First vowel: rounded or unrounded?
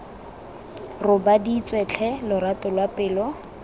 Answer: rounded